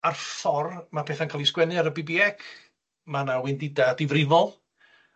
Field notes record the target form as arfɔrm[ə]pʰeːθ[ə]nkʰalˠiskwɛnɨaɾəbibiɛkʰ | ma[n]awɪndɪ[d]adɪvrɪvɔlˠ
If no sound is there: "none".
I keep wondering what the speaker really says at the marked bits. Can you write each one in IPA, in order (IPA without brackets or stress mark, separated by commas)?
a, a, n, d